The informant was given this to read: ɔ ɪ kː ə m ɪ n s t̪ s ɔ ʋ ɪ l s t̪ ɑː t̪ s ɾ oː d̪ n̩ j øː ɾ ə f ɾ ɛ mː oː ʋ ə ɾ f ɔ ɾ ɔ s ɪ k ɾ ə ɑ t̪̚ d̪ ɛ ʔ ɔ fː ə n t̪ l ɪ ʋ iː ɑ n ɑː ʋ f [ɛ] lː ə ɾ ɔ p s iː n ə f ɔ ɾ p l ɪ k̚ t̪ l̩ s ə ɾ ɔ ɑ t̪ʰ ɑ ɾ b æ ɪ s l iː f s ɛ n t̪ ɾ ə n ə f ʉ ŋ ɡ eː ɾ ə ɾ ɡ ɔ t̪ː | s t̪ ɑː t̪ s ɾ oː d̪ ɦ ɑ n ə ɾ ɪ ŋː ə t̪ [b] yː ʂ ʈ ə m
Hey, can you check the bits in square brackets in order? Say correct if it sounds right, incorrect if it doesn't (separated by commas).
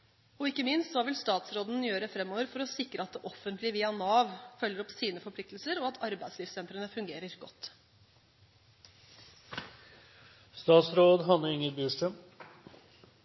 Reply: incorrect, correct